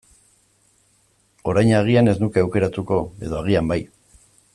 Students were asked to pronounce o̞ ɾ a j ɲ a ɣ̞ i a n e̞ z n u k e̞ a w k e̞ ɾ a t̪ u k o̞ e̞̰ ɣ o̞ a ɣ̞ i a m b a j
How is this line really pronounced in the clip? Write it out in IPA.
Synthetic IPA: o̞ ɾ a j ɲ a ɣ̞ i a n e̞ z n u k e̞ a w k e̞ ɾ a t̪ u k o̞ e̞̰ ð o̞ a ɣ̞ i a m b a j